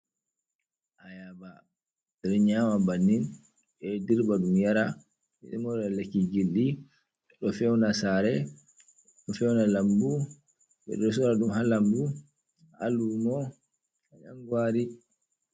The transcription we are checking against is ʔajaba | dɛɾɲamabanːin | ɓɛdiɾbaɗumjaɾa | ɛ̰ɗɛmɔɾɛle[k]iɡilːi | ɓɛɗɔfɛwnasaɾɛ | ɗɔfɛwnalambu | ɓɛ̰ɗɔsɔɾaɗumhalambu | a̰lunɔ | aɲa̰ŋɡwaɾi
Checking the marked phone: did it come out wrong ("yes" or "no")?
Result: no